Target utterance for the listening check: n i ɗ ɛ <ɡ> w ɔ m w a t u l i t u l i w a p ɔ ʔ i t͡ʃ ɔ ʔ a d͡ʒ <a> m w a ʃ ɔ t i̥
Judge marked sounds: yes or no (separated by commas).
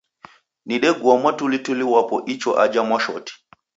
yes, yes